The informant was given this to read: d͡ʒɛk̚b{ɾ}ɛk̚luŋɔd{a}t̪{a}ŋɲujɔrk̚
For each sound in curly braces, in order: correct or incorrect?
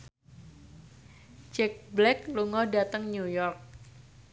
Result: incorrect: l, correct, incorrect: ə

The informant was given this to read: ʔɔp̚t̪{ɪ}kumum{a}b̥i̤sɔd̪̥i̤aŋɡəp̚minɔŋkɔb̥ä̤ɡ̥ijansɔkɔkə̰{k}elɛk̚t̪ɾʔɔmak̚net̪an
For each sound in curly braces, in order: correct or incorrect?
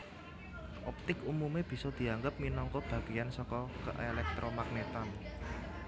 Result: correct, incorrect: e, incorrect: ʔ

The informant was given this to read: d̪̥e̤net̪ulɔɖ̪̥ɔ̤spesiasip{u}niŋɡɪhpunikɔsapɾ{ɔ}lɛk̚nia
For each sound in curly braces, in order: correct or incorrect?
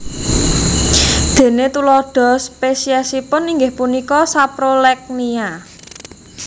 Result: incorrect: ʊ, incorrect: o

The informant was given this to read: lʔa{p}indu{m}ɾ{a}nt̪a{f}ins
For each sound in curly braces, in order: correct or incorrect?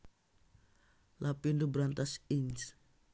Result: correct, incorrect: b, correct, incorrect: s

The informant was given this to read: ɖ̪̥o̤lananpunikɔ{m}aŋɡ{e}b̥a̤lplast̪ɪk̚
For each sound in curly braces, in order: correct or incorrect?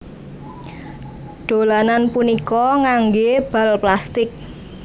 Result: incorrect: ŋ, correct

